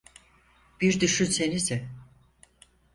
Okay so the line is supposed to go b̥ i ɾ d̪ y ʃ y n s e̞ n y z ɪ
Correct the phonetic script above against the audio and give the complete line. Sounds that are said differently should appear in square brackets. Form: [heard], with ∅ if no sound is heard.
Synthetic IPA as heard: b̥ i ɾ d̪ y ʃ y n s e̞ n [i] z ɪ